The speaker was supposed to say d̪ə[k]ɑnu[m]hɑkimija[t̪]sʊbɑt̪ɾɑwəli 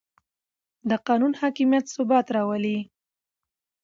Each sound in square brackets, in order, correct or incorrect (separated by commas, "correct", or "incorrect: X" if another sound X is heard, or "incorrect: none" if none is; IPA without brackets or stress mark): incorrect: q, incorrect: n, correct